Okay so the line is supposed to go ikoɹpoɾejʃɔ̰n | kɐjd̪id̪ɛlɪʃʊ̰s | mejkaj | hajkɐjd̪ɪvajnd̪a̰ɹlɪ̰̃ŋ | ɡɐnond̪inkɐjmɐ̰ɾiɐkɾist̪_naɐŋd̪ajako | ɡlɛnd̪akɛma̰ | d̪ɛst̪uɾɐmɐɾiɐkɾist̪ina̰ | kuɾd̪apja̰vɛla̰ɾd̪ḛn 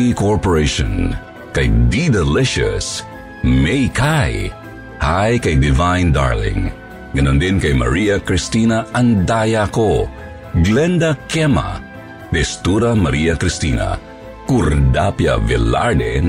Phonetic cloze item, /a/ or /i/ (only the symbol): i